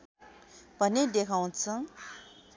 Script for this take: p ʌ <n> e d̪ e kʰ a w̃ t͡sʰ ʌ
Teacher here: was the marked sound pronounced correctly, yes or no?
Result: yes